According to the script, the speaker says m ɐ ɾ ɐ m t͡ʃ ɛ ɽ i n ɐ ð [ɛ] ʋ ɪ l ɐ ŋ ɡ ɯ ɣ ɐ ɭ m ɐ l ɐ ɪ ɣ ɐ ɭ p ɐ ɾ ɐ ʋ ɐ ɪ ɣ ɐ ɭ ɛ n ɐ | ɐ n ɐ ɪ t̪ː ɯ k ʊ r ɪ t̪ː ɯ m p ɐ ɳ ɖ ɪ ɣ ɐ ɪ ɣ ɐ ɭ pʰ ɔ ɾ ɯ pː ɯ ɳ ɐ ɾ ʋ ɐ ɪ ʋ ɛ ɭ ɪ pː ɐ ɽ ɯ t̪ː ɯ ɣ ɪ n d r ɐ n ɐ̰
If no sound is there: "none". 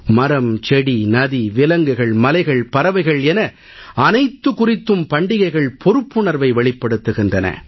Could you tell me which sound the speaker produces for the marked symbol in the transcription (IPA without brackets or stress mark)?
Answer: i